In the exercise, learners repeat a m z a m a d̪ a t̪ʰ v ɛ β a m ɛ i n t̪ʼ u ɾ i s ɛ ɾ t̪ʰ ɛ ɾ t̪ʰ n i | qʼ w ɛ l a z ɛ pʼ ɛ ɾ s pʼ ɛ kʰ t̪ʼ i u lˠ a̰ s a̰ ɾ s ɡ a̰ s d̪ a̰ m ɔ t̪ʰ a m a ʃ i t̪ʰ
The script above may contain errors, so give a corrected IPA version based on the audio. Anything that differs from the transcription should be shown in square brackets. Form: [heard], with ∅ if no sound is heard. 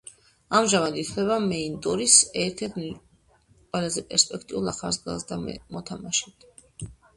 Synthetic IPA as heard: a m [ʒ] a m a d̪ [i] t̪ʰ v ɛ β a m ɛ i n t̪ʼ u ɾ i s ɛ ɾ t̪ʰ ɛ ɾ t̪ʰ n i | qʼ w ɛ l a z ɛ pʼ ɛ ɾ s pʼ ɛ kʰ t̪ʼ i u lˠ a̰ [χ] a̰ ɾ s ɡ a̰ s d̪ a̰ m ɔ t̪ʰ a m a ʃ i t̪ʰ